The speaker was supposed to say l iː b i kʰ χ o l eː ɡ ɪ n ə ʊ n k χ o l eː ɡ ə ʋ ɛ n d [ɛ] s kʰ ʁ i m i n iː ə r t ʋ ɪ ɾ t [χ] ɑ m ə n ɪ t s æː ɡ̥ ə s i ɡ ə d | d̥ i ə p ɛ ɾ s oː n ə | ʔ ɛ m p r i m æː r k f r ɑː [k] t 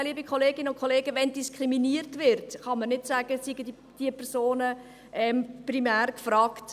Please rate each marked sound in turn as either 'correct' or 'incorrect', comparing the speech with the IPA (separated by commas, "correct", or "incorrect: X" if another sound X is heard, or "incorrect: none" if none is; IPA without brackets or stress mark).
incorrect: i, correct, correct